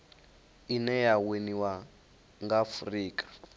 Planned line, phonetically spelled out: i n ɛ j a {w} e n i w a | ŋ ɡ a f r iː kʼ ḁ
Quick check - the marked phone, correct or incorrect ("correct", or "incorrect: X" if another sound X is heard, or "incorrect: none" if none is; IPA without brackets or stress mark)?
correct